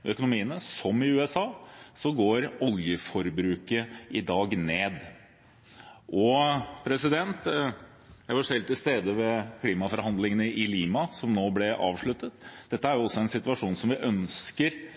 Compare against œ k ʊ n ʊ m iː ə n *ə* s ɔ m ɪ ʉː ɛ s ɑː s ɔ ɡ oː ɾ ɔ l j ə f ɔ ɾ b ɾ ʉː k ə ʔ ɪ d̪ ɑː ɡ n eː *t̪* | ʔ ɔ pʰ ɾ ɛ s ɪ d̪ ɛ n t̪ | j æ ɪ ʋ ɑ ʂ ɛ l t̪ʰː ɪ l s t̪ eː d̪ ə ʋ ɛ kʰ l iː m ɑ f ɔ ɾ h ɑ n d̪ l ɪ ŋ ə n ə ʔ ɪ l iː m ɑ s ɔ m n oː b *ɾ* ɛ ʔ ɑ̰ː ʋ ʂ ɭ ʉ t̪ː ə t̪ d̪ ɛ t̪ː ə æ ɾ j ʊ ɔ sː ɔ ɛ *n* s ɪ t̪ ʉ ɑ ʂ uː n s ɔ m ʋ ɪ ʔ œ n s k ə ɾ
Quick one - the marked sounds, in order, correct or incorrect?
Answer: correct, incorrect, incorrect, correct

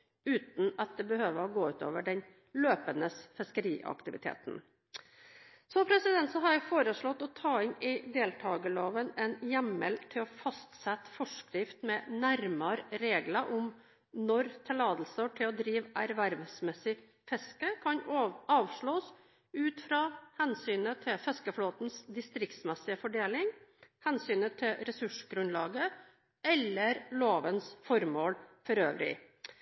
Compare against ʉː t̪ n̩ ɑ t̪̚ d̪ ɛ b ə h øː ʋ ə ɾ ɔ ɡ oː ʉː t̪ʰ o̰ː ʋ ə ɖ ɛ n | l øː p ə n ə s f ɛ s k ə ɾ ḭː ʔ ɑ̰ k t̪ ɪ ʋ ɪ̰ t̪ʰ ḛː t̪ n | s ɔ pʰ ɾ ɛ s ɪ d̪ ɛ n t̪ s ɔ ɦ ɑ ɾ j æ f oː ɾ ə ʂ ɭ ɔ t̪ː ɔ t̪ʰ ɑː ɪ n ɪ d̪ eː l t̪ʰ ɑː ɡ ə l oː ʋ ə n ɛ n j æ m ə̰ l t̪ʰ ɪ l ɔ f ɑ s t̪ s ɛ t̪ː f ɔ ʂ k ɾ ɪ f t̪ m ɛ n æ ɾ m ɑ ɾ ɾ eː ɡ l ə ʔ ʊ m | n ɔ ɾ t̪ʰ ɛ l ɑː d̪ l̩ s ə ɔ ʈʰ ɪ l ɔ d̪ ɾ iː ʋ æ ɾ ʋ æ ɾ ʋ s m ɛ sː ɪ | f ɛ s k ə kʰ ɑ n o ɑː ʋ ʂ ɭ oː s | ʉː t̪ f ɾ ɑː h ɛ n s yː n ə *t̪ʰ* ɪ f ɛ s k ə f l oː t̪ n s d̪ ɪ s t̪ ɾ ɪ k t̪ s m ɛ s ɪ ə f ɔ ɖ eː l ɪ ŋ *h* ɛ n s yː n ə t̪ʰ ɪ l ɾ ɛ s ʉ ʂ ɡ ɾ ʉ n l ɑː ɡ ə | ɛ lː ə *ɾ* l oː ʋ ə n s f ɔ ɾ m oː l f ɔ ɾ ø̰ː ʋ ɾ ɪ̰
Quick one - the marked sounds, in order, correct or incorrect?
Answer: correct, correct, correct

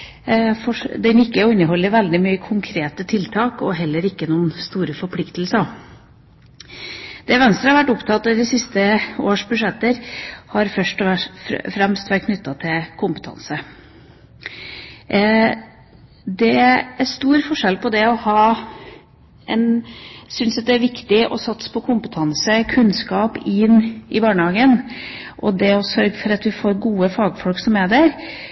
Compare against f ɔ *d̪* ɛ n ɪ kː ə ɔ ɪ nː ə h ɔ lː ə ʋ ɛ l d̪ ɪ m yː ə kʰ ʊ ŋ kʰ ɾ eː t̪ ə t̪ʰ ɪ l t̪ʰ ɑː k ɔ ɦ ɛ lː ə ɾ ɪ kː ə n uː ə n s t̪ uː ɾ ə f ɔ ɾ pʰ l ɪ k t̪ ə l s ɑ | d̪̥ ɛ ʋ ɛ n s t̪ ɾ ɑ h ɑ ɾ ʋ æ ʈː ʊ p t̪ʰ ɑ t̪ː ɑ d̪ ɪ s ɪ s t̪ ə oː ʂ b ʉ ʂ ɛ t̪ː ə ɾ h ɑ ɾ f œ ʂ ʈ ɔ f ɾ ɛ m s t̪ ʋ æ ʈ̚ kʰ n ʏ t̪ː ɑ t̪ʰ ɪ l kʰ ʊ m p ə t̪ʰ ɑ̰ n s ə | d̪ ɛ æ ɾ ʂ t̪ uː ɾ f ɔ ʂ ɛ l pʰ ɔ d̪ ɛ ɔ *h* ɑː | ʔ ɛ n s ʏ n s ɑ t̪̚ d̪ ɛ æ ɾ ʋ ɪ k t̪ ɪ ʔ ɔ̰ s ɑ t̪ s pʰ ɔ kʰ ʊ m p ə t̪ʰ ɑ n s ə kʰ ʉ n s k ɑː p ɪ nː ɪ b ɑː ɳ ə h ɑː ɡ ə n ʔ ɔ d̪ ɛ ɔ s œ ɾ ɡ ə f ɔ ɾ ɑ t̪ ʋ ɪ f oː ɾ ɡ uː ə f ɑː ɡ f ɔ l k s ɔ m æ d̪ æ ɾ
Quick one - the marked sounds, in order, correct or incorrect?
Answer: correct, correct

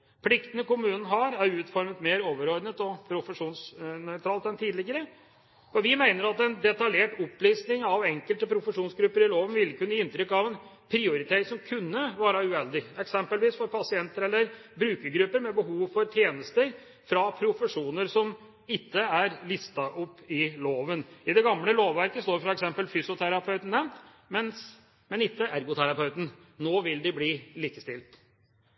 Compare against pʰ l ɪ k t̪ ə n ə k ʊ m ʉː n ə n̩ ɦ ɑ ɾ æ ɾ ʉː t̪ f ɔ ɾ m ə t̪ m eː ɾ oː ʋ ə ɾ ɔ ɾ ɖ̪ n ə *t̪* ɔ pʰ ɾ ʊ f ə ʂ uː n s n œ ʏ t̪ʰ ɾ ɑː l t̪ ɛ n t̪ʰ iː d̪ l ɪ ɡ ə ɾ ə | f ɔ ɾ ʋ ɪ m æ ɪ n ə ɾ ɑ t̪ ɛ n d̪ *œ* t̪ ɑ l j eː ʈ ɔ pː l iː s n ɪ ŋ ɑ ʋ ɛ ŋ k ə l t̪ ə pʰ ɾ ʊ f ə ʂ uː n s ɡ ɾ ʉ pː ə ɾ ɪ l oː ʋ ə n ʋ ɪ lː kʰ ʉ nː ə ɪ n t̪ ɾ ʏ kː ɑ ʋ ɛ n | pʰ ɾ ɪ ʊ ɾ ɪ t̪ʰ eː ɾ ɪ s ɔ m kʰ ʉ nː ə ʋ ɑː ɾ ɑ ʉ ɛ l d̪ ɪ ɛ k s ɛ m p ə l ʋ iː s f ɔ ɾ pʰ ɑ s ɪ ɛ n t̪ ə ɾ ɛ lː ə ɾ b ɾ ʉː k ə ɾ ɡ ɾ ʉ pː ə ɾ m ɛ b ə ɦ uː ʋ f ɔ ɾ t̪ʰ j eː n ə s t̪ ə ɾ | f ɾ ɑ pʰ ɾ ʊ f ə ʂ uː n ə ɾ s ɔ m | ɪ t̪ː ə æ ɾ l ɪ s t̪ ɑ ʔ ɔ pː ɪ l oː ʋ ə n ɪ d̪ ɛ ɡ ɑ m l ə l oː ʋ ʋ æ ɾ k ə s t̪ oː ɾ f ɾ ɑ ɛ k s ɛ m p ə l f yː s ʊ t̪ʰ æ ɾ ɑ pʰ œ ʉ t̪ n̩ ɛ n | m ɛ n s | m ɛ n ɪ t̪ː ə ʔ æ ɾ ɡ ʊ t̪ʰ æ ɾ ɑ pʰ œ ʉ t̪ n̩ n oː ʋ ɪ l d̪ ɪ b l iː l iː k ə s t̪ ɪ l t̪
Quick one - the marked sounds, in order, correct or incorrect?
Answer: correct, incorrect

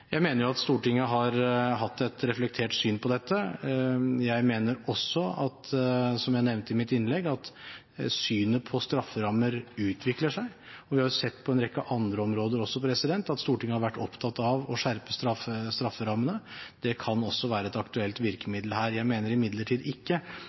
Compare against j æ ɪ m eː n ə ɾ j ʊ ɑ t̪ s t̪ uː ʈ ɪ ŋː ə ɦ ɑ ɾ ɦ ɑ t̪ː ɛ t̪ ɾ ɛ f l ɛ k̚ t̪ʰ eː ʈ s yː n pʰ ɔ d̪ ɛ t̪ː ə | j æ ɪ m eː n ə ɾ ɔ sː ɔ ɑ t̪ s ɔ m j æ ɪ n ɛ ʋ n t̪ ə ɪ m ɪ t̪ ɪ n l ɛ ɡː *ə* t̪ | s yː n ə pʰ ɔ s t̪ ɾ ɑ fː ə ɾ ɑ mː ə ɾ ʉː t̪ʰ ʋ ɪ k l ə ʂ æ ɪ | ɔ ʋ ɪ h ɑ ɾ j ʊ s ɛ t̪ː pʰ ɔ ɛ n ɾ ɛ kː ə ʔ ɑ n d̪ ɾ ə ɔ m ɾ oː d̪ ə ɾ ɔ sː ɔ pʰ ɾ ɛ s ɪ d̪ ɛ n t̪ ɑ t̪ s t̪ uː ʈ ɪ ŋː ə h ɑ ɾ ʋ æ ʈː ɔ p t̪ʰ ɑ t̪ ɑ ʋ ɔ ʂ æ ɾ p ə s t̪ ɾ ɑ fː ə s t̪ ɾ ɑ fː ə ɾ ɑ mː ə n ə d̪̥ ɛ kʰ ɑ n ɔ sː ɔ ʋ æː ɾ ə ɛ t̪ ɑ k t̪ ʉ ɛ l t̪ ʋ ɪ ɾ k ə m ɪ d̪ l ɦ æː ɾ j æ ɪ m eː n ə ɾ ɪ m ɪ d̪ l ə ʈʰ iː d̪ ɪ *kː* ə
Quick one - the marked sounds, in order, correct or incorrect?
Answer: incorrect, correct

